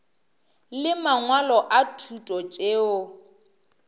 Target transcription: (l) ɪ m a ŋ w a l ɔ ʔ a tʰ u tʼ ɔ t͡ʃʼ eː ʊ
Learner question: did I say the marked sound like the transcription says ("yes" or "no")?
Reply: yes